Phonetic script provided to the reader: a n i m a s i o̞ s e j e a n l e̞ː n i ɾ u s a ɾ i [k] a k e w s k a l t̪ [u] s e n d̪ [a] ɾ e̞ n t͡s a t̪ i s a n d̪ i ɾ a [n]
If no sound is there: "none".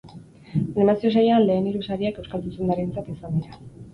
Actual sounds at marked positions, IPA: none, u, a, none

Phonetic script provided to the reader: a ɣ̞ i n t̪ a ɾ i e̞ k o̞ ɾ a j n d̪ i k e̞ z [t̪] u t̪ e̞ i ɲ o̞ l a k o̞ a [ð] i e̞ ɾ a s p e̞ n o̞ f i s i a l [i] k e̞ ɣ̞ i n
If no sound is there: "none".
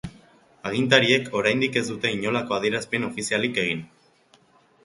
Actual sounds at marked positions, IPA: d̪, ð, i

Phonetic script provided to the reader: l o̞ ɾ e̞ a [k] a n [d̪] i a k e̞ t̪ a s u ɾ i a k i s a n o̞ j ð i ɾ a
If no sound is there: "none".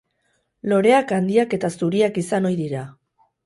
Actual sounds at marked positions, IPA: k, d̪

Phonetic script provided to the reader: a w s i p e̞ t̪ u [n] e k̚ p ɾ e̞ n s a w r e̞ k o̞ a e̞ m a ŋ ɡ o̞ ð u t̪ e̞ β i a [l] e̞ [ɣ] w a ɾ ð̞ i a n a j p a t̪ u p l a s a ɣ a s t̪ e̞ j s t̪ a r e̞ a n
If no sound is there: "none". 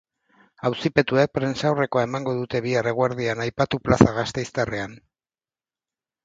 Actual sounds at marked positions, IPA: none, r, ɣ

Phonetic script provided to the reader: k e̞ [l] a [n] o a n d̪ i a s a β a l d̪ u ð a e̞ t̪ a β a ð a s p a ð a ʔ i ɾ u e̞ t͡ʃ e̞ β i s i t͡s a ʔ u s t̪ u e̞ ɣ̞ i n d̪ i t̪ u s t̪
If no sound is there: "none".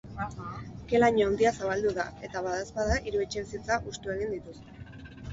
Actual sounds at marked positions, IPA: l, ɲ

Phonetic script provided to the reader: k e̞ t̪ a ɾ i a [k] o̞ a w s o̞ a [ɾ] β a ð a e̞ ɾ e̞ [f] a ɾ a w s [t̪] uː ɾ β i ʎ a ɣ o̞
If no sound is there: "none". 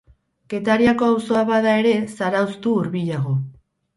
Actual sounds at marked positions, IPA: k, none, s, t̪

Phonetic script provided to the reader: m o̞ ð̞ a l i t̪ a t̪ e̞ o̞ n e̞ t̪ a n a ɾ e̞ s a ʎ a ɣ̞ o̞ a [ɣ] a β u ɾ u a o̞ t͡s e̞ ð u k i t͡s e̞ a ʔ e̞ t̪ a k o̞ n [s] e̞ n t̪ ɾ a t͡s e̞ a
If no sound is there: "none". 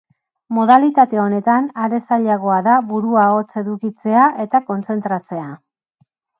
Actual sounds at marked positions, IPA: ð, t͡s

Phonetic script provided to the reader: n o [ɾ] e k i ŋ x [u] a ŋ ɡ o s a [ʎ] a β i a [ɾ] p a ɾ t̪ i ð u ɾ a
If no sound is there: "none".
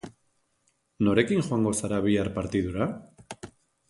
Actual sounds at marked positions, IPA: ɾ, w, ɾ, ɾ

